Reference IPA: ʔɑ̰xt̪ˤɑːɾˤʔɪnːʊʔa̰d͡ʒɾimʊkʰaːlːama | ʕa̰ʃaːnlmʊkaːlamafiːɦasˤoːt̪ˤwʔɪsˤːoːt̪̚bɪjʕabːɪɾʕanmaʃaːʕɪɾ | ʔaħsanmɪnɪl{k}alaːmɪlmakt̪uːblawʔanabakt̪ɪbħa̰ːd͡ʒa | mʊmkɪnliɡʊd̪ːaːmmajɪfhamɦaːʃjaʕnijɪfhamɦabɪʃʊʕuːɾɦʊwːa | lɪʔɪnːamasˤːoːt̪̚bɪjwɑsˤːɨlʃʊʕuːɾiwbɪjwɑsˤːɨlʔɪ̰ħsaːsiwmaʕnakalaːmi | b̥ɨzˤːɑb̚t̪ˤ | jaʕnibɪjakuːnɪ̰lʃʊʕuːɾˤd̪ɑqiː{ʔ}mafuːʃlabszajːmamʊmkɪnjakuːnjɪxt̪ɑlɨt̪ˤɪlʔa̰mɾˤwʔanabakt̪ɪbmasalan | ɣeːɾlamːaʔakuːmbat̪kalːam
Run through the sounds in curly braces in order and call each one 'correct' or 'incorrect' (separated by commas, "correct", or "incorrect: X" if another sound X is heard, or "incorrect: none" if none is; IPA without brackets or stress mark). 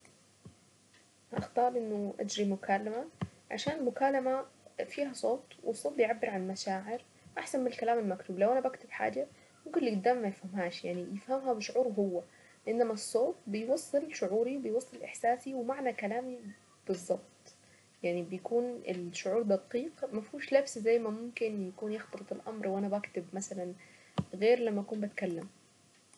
correct, incorrect: q